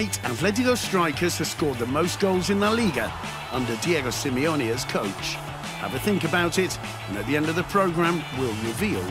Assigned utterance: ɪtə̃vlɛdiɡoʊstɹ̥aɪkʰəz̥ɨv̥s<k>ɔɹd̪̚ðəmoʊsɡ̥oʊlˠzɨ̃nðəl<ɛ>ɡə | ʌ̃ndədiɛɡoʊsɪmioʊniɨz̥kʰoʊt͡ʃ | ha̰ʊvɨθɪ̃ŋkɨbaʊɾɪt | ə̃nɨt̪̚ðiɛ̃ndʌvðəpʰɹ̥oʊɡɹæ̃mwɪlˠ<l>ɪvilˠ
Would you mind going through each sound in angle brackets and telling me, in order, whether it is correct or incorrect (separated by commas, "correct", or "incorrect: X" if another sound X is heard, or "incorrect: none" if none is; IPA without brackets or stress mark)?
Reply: correct, incorrect: i, incorrect: ɹ